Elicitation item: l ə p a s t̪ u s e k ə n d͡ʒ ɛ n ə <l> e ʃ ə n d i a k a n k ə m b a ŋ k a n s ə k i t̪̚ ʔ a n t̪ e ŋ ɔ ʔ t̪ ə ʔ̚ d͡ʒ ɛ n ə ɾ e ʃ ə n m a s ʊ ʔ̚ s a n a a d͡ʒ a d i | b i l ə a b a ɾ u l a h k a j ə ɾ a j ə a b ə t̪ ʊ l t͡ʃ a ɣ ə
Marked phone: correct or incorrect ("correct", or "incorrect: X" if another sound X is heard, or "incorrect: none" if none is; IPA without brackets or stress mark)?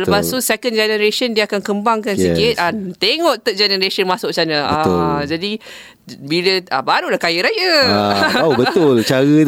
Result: incorrect: ɾ